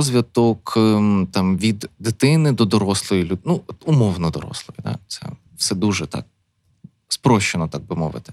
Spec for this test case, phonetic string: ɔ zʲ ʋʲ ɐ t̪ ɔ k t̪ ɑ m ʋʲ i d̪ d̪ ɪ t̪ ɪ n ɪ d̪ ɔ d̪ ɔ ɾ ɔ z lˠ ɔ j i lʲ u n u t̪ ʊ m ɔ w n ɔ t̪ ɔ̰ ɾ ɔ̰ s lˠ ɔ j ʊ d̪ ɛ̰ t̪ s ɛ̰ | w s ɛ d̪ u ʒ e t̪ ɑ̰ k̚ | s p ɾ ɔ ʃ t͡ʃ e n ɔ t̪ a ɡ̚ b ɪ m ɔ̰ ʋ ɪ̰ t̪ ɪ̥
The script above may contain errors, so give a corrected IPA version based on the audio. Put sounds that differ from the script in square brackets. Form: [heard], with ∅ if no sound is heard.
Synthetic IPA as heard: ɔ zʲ ʋʲ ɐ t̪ ɔ k t̪ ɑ m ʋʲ i d̪ d̪ ɪ t̪ ɪ n ɪ d̪ ɔ d̪ ɔ ɾ ɔ [s] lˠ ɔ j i lʲ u n u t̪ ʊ m ɔ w n ɔ [d̪] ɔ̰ ɾ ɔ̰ s lˠ ɔ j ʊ d̪ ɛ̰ t̪ s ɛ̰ | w s ɛ d̪ u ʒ [ɛ] t̪ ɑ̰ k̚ | s p ɾ ɔ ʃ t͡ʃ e n ɔ t̪ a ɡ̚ b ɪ m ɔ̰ ʋ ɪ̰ t̪ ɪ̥